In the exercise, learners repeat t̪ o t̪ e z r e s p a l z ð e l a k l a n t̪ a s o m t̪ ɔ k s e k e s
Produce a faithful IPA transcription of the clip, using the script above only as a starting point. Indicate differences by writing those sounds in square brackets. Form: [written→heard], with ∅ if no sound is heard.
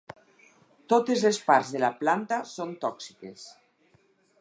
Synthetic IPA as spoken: t̪ o t̪ e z [r→l] e s p a [l→ɾ] z ð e l a [k→p] l a n t̪ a s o [m→n] t̪ ɔ k s [e→i] k e s